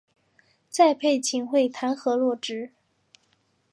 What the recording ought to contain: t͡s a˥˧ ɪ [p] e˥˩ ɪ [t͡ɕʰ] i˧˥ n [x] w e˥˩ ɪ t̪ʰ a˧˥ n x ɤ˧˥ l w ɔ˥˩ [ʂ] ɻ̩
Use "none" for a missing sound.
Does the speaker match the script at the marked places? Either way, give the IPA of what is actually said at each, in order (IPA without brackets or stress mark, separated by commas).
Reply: pʰ, t͡ɕʰ, x, ʈ͡ʂ